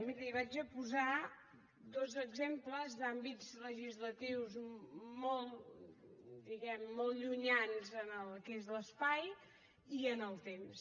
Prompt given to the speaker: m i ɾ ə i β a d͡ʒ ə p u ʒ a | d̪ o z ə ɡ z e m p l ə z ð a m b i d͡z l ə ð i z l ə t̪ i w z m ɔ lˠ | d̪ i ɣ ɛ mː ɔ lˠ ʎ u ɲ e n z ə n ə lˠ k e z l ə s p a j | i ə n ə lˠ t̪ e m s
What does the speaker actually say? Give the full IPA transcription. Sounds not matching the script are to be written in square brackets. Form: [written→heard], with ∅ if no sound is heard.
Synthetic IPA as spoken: m i ɾ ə i β a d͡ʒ ə p u [ʒ→z] a | d̪ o z ə ɡ z e m p l ə z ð a m b i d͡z l ə [ð→ʒ] i z l ə t̪ i w z m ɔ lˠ | d̪ i ɣ ɛ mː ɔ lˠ ʎ u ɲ [e→a] n z ə n ə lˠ k e z l ə s p a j | i ə n ə lˠ t̪ e m s

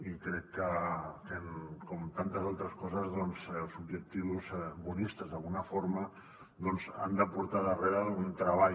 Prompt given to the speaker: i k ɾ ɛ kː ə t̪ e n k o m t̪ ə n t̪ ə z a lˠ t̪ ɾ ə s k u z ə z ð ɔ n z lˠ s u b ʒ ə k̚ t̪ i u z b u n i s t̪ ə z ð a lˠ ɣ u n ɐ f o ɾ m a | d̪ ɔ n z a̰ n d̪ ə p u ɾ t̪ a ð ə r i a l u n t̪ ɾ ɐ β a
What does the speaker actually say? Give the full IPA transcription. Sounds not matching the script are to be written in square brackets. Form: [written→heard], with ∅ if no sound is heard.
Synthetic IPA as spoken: i k ɾ ɛ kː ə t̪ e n k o m t̪ [ə→a] n t̪ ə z a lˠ t̪ ɾ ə s k [u→ɔ] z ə z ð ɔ n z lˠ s u b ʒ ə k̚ t̪ i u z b u n i s t̪ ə z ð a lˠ ɣ u n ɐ f o ɾ m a | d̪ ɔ n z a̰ n d̪ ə p u ɾ t̪ a ð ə r [i→e] a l u n t̪ ɾ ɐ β a

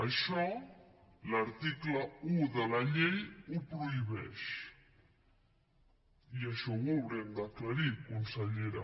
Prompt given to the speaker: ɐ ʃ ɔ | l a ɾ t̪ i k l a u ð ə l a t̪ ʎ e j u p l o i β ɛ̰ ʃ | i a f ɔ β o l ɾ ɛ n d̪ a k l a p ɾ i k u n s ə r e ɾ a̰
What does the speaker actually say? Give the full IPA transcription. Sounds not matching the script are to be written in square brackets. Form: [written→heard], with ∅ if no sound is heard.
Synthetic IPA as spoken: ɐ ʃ ɔ | l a ɾ t̪ i k l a u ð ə l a [t̪→∅] ʎ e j u p [l→ɾ] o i β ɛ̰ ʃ | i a [f→ʃ] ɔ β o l ɾ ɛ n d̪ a k l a [p→∅] ɾ i k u n s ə [r→ʎ] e ɾ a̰

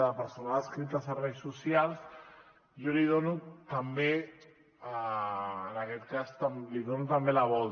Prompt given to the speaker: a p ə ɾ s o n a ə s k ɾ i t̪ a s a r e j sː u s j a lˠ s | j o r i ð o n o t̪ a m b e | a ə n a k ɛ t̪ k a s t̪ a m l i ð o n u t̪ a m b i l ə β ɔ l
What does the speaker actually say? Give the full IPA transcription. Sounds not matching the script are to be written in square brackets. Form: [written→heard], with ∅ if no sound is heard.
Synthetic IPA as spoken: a p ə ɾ s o n a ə s k ɾ i t̪ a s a r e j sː u s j a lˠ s | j o [r→l] i ð o n [o→u] t̪ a m b e | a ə n a k ɛ t̪ k a s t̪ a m l i ð o n u t̪ a m b [i→e] l [ə→a] β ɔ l

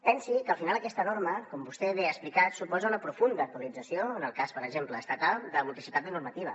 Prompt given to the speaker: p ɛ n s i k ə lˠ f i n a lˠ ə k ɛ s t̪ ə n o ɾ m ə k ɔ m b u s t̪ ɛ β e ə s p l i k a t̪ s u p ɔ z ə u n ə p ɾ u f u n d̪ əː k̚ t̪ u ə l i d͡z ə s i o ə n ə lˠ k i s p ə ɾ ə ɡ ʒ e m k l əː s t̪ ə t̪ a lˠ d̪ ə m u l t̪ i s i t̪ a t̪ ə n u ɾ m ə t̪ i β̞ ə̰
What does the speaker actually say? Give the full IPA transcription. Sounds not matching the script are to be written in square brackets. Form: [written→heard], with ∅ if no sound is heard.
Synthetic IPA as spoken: p ɛ n s i k ə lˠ f i n a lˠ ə k ɛ s t̪ ə n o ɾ m ə k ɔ m b u s t̪ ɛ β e ə s p l i k a t̪ s u p ɔ z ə u n ə p ɾ u f u n d̪ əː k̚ t̪ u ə l i d͡z ə s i o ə n ə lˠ k [i→a] s p ə ɾ ə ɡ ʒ e m [k→p] l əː s t̪ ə t̪ a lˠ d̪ ə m u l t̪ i s i t̪ a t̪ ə n u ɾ m ə t̪ i β̞ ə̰

